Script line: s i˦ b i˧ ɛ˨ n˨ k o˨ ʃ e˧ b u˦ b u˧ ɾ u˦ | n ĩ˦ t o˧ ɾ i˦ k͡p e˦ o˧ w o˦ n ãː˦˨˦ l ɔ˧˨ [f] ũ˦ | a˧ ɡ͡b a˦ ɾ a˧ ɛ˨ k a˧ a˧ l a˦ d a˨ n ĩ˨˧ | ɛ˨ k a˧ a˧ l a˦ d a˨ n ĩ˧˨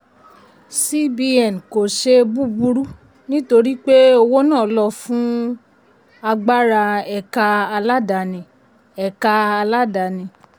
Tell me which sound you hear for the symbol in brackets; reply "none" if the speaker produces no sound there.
f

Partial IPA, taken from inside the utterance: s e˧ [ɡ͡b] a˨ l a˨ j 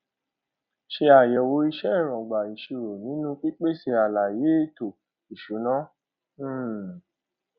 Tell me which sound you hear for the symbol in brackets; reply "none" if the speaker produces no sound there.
none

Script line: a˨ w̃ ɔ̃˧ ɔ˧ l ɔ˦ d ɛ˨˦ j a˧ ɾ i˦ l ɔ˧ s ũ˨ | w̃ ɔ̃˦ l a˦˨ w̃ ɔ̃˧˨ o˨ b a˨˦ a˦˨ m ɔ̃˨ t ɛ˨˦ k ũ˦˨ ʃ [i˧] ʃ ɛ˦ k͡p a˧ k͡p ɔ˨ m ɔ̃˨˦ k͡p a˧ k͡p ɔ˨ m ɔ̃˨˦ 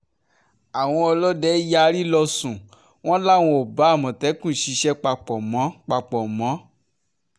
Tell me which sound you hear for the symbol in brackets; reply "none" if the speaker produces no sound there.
i˧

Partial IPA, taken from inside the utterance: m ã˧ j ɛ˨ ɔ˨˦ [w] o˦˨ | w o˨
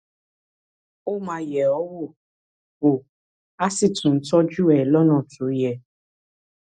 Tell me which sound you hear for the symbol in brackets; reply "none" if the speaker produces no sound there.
w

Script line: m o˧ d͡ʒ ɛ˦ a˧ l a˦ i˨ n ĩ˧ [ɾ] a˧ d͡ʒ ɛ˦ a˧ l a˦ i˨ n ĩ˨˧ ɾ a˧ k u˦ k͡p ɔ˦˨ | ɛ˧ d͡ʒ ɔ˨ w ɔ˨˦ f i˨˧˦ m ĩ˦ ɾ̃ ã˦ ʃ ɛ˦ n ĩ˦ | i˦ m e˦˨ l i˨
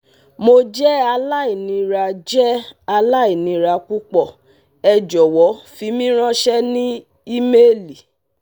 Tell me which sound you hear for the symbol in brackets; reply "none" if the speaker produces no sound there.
ɾ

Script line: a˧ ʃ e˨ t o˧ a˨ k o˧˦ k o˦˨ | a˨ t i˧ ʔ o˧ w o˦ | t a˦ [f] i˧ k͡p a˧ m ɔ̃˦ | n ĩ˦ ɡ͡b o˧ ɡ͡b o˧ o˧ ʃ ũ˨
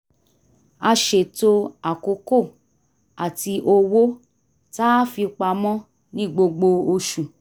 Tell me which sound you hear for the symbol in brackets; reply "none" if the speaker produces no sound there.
f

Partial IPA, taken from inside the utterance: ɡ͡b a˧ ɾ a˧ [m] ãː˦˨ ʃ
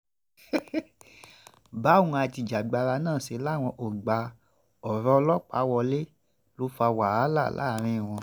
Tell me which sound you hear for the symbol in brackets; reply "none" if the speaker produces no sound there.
n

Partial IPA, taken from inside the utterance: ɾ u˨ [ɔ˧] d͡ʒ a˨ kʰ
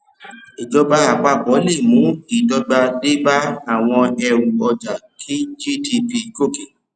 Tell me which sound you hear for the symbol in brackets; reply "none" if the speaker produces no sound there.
ɔ˧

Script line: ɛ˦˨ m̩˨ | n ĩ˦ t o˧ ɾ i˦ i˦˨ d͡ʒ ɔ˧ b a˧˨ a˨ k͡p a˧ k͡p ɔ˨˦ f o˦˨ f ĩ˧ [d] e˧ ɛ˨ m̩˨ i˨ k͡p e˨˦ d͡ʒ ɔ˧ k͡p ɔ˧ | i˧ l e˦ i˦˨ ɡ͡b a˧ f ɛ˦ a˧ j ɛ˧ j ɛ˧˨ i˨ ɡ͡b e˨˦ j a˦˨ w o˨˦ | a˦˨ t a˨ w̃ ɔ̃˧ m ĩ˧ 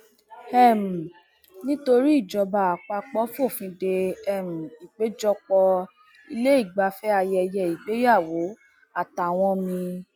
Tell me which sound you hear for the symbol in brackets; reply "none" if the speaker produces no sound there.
d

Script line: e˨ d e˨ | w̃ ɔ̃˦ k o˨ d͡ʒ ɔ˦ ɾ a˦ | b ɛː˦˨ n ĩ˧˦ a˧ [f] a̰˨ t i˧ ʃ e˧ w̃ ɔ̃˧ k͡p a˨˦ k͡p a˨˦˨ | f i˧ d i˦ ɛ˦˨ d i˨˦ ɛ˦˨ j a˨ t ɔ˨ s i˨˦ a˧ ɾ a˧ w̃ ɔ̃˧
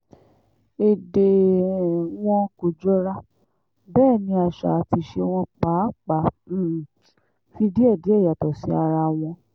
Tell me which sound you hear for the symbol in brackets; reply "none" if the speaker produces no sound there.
ʃ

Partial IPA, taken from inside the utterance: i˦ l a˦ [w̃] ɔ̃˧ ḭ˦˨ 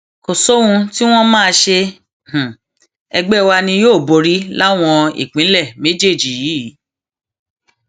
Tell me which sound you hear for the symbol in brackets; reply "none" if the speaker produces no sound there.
w̃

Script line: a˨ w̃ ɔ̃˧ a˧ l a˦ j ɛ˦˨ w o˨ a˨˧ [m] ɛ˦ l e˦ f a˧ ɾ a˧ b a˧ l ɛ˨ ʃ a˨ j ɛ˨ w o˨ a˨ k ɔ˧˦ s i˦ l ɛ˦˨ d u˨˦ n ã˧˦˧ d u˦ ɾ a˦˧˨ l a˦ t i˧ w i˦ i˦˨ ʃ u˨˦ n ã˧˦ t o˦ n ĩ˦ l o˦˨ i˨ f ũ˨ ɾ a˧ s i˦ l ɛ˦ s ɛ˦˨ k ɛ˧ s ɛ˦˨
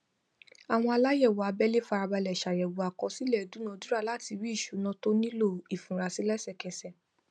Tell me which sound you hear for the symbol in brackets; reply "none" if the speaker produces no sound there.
b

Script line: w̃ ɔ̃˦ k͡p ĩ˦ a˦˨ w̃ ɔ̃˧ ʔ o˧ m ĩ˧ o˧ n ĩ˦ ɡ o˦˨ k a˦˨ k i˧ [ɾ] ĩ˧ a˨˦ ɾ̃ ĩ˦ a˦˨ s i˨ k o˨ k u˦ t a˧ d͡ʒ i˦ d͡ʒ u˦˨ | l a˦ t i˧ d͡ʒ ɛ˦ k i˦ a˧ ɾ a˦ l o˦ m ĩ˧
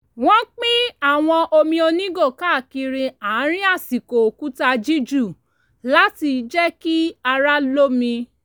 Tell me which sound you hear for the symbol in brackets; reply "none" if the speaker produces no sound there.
ɾ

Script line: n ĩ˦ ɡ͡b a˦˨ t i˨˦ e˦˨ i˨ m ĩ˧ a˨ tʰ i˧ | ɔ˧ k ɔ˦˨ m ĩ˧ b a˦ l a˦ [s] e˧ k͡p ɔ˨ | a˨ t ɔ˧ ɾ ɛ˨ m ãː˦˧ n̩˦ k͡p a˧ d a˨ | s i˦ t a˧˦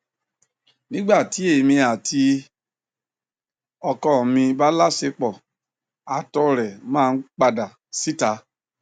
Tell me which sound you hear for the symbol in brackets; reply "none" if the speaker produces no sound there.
s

